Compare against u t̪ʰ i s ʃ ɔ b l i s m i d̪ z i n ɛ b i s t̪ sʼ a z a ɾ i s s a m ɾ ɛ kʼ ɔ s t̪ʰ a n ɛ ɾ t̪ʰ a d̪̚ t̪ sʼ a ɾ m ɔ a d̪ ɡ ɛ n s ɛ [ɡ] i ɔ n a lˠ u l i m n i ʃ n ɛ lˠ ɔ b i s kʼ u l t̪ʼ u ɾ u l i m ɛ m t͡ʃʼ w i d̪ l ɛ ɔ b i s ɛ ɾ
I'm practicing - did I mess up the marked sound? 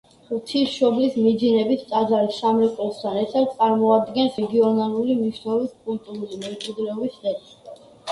no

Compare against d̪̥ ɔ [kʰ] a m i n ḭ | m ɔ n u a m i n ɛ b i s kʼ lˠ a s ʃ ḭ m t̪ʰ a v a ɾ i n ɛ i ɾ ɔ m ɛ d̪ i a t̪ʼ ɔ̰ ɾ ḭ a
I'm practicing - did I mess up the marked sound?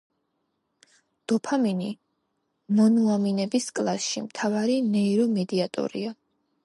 yes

